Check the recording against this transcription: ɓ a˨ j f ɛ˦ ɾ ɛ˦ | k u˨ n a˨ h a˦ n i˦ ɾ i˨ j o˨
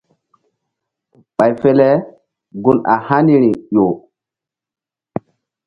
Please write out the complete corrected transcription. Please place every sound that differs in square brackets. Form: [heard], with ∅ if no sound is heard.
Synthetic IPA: ɓ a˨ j f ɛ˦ [l] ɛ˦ | [ɡ] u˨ n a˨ h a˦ n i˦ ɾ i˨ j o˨